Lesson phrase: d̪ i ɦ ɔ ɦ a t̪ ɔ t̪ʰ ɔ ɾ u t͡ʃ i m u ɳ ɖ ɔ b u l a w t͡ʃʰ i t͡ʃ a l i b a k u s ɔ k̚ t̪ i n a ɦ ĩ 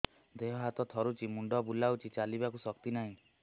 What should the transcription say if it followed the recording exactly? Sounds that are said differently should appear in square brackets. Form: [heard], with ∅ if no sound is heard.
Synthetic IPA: d̪ [e] ɦ ɔ ɦ a t̪ ɔ t̪ʰ ɔ ɾ u t͡ʃ i m u ɳ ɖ ɔ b u l a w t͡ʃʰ i t͡ʃ a l i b a k u s ɔ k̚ t̪ i n a ɦ ĩ

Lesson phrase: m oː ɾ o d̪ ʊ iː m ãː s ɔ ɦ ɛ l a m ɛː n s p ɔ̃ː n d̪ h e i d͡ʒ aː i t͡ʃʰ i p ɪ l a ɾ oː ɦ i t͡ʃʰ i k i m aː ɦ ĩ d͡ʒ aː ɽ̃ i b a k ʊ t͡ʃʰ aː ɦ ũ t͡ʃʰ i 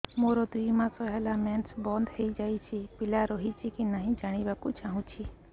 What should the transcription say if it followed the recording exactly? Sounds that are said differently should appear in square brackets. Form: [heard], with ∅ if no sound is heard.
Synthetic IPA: m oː ɾ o d̪ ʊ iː m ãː s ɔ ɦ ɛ l a m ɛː n s [b] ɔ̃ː n d̪ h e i d͡ʒ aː i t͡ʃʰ i p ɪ l a ɾ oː ɦ i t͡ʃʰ i k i [n] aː ɦ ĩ d͡ʒ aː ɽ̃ i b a k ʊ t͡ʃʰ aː ɦ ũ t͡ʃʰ i

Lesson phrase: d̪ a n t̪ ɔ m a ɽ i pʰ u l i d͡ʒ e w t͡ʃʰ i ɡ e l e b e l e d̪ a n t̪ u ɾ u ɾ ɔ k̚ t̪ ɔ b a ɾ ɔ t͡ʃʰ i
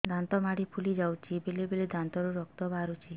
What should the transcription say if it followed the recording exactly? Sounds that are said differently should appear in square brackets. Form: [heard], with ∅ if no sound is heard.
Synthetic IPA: d̪ a n t̪ ɔ m a ɽ i pʰ u l i d͡ʒ [a] w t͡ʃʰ i [b] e l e b e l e d̪ a n t̪ [ɔ] ɾ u ɾ ɔ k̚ t̪ ɔ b a ɾ [u] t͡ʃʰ i

